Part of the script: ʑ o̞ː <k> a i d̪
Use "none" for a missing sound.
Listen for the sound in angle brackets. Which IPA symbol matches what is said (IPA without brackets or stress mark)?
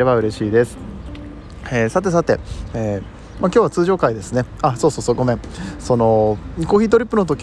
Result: k